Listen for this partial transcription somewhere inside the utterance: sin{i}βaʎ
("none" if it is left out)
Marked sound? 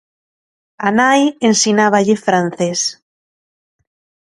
a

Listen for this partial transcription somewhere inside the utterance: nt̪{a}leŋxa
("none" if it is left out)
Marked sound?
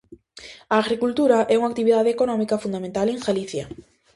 a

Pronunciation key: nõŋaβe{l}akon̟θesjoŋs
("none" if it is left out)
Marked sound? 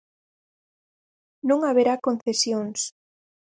ɾ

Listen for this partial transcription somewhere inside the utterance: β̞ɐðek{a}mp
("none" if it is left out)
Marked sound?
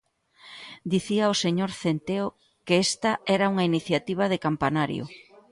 a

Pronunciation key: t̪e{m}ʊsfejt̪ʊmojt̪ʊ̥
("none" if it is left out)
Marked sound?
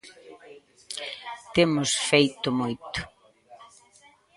m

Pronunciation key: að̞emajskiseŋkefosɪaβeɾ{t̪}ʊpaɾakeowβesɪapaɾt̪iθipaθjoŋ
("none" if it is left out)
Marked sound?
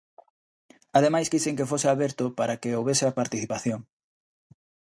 t̪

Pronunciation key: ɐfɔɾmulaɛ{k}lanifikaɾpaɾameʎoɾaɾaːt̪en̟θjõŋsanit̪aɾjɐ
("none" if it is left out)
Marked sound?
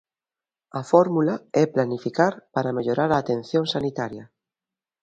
p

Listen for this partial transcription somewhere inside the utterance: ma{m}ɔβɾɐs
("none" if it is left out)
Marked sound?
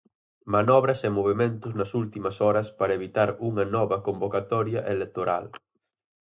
n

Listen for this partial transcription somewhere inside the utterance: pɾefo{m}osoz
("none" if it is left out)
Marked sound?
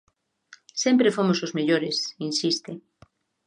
m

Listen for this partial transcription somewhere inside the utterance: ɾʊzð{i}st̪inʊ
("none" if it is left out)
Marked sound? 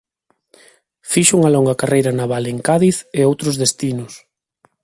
e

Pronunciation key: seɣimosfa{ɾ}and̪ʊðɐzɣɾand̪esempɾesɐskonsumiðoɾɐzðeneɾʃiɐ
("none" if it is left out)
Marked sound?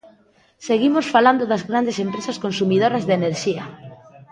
l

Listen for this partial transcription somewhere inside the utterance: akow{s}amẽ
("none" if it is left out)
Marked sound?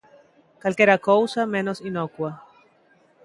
s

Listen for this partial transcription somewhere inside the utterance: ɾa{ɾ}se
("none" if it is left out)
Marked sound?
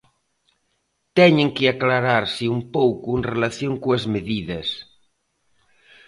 ɾ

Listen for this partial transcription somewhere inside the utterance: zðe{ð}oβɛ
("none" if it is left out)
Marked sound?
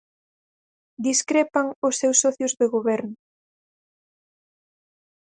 ɣ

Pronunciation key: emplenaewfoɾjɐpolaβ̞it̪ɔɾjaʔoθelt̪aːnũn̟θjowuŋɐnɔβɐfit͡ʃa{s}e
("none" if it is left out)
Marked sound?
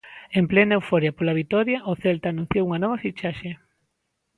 ʃ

